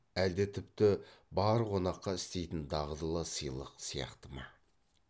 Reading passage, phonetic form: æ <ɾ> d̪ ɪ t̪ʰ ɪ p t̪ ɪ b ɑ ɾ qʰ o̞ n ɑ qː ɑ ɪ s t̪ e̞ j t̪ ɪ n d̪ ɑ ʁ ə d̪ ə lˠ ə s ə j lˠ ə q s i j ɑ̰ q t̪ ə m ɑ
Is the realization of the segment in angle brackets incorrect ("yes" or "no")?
yes